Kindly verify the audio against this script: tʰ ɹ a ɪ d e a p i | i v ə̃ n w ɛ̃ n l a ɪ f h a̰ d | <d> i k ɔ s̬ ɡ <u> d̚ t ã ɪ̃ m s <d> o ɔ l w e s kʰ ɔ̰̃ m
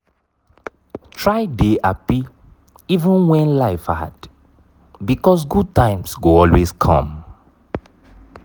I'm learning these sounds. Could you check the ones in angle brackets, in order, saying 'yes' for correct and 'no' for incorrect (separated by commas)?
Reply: no, yes, no